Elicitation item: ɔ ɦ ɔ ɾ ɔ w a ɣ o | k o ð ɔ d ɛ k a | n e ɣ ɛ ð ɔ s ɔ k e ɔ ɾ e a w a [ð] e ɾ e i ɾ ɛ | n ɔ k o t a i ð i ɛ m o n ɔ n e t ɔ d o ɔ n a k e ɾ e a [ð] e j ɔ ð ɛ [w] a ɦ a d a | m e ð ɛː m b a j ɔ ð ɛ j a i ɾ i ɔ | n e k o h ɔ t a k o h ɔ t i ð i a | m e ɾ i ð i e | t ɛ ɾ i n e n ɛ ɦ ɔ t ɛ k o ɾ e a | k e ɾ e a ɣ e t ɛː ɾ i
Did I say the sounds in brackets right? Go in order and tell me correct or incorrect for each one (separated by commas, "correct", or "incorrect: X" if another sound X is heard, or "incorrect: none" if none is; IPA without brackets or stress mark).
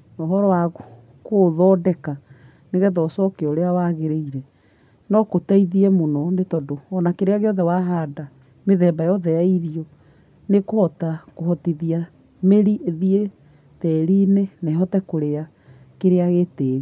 incorrect: ɣ, incorrect: ɣ, correct